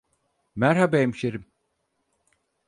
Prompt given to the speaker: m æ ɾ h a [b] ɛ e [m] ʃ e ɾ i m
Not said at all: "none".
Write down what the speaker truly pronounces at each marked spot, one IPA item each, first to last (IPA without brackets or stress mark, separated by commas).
b, m